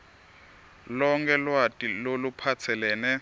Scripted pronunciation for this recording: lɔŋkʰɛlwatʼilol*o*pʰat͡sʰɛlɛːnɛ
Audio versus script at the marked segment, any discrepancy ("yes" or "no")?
yes